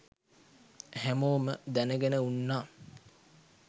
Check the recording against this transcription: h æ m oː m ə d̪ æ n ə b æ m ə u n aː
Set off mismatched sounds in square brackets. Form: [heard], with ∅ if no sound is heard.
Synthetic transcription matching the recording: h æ m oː m ə d̪ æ n ə [ɡ] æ [n] ə u [nː] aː